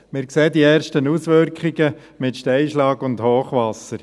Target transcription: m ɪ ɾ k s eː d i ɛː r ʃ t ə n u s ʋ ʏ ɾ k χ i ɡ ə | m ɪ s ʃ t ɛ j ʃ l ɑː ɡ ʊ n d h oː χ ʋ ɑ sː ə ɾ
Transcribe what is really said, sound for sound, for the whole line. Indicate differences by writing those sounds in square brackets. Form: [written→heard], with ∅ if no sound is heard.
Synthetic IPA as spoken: m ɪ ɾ k s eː d i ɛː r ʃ t ə n u s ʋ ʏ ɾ k χ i ɡ ə | m ɪ [s→t] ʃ t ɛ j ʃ l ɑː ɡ ʊ n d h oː χ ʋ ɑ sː ə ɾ